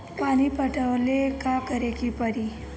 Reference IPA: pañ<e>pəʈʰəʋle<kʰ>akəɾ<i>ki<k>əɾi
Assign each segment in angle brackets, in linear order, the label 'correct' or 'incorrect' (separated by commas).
incorrect, incorrect, incorrect, incorrect